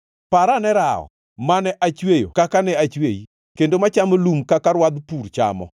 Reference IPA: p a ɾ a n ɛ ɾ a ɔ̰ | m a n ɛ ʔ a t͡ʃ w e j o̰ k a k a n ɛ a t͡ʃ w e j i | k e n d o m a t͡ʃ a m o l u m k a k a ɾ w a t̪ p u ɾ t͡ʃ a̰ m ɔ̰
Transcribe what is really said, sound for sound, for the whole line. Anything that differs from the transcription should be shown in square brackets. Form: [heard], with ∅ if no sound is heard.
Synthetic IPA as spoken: p a ɾ a n ɛ ɾ a ɔ̰ | m a n ɛ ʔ a t͡ʃ w e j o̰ k a k a n ɛ a t͡ʃ w e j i | k e n d o m a t͡ʃ a m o l u m k a k a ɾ w a [d̪] p u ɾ t͡ʃ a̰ m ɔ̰

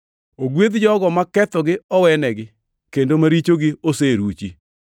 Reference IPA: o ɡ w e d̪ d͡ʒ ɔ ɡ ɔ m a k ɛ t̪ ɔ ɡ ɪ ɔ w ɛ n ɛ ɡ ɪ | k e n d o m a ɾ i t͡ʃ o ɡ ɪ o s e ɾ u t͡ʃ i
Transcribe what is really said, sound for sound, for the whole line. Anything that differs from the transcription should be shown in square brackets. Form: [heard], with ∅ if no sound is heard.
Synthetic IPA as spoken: o ɡ w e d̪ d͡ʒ ɔ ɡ ɔ m a k ɛ t̪ ɔ ɡ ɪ ɔ w ɛ n ɛ ɡ ɪ | k e n d o m a ɾ i t͡ʃ o ɡ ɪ o s e ɾ u t͡ʃ i

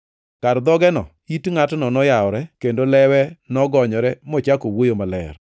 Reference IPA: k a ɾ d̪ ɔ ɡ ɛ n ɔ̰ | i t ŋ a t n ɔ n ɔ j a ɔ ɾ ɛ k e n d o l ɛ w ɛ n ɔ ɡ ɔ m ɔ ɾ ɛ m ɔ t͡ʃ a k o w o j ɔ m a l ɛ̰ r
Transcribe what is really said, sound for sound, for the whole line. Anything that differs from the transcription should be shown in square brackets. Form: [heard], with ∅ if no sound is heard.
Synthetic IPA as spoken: k a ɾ d̪ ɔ ɡ ɛ n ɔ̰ | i t ŋ a t n ɔ n ɔ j a ɔ ɾ ɛ k e n d o l ɛ w ɛ n ɔ ɡ ɔ [ɲ] ɔ ɾ ɛ m ɔ t͡ʃ a k o w o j [o] m a l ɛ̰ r

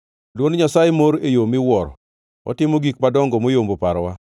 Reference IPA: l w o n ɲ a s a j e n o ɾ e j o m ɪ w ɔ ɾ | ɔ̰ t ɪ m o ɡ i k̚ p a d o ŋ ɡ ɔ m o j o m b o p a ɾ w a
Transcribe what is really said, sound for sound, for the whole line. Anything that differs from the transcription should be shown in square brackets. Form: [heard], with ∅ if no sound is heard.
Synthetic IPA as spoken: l w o n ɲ a s a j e [m] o ɾ e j o m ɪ w ɔ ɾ | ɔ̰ t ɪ m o ɡ i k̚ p a d [ɔ] ŋ ɡ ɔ m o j o m b o p a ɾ w a

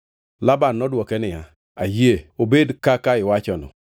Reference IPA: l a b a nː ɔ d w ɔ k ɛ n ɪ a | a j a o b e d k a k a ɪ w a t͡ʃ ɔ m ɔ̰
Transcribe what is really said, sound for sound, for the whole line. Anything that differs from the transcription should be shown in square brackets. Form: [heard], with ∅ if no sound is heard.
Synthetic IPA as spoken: l a b a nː ɔ d w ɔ k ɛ n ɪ a | a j [e] o b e d k a k a ɪ w a t͡ʃ ɔ [n] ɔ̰

